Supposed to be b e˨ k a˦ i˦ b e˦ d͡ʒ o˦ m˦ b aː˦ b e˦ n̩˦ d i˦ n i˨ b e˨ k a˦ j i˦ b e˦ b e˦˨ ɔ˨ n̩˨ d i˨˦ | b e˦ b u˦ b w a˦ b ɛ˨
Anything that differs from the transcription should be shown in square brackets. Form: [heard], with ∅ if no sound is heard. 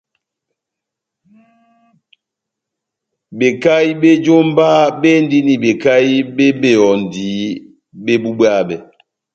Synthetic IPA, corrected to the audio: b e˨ k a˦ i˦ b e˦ d͡ʒ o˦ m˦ b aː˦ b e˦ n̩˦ d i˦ n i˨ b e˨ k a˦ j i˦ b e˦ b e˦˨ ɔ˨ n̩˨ d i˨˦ | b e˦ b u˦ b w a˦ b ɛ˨